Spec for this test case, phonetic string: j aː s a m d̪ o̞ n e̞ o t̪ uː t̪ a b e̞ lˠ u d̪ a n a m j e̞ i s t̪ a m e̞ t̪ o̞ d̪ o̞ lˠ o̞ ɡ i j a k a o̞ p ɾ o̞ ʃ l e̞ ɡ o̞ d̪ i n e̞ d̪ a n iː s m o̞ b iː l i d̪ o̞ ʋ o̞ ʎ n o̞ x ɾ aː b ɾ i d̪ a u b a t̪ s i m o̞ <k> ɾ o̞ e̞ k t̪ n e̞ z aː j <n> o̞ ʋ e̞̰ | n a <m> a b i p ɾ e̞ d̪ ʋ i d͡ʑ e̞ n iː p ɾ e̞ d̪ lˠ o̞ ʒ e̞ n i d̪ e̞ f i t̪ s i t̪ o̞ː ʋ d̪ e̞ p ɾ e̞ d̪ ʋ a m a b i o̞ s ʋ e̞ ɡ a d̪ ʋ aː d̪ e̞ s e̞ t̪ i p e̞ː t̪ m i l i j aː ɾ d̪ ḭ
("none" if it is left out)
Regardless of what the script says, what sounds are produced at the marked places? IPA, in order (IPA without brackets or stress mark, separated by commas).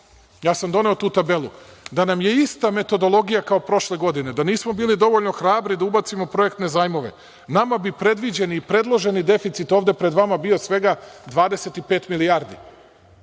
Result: p, m, m